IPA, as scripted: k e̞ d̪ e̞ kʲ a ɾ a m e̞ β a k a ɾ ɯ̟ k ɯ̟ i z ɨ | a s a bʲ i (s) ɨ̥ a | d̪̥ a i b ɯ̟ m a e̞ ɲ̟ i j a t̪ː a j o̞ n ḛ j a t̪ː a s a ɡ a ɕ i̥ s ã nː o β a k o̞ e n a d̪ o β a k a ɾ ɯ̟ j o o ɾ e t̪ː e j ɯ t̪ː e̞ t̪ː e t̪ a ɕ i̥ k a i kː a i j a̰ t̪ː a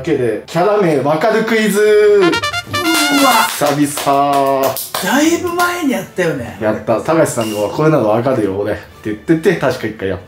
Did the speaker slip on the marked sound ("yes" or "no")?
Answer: no